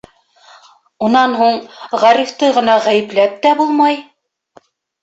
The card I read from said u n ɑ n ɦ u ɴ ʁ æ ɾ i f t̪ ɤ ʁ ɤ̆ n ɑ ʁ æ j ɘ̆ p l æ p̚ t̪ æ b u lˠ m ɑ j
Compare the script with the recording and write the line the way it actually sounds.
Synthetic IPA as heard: u n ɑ n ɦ u ɴ ʁ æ ɾ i f t̪ ɤ ʁ ɤ̆ n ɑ ʁ æ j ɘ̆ p l æ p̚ t̪ æ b u lˠ m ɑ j